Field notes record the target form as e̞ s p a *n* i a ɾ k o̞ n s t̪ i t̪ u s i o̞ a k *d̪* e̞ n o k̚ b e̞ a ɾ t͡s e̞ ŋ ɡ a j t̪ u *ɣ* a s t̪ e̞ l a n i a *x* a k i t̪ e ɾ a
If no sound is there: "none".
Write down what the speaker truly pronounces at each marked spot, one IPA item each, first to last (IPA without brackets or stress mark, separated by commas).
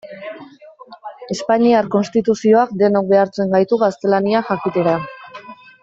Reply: ɲ, d̪, ɣ, x